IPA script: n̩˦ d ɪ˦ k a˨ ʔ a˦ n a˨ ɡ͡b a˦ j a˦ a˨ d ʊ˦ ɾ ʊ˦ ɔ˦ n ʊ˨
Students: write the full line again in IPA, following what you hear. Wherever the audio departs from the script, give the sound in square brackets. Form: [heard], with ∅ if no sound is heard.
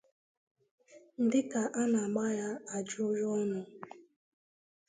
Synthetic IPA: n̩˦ d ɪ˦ k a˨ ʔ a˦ n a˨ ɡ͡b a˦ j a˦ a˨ [d͡ʒ] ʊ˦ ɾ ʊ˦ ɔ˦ n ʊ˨